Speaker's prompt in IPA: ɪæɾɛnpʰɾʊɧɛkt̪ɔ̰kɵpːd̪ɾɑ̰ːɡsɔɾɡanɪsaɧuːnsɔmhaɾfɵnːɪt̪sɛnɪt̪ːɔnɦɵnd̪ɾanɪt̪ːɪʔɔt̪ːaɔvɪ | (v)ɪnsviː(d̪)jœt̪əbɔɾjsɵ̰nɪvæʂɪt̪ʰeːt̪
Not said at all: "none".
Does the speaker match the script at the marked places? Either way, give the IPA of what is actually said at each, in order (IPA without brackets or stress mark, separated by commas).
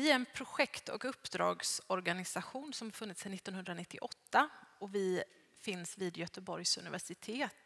f, d̪